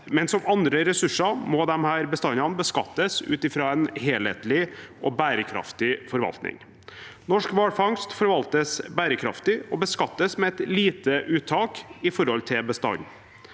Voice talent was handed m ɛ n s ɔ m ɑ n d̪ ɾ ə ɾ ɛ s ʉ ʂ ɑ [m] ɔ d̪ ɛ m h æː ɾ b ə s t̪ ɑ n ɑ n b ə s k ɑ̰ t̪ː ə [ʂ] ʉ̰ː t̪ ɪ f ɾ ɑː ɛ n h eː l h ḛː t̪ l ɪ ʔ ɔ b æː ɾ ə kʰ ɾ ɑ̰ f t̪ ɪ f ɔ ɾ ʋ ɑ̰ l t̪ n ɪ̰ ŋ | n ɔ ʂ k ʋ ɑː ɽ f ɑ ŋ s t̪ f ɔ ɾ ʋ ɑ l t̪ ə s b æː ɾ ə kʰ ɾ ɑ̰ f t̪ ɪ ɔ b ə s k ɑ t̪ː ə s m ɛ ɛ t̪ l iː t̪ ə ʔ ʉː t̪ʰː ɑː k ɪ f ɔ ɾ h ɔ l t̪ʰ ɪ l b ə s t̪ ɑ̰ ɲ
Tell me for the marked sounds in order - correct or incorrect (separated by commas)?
correct, incorrect